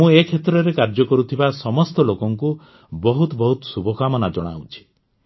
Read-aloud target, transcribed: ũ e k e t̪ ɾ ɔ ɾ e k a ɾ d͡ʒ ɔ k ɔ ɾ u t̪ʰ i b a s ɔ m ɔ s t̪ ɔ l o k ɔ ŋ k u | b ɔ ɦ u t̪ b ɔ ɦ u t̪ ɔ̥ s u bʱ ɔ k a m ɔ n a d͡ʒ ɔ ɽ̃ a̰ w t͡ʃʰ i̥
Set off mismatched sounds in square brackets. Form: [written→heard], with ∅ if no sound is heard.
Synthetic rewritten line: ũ e [k→kʰ] e t̪ ɾ ɔ ɾ e k a ɾ d͡ʒ ɔ k ɔ ɾ u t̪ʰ i b a s ɔ m ɔ s t̪ ɔ l o k ɔ ŋ k u | b ɔ ɦ u t̪ b ɔ ɦ u t̪ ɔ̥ s u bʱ ɔ k a m ɔ n a d͡ʒ ɔ ɽ̃ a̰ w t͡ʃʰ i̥